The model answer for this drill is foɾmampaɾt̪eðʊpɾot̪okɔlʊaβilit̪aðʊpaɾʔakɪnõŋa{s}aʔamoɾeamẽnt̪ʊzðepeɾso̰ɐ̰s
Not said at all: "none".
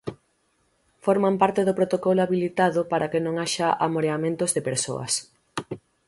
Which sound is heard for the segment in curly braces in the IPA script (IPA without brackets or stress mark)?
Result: ʃ